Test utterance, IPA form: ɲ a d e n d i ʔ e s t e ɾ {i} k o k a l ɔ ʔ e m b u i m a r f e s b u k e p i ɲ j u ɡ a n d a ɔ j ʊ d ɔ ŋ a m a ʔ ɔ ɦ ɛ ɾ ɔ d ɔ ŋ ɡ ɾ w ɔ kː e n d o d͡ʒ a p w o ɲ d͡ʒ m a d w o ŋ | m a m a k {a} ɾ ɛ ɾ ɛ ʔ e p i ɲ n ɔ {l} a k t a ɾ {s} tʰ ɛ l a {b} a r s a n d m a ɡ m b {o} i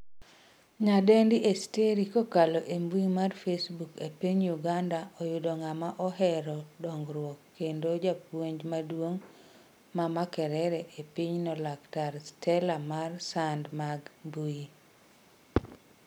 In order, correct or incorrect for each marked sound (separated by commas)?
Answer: correct, incorrect, correct, correct, incorrect, incorrect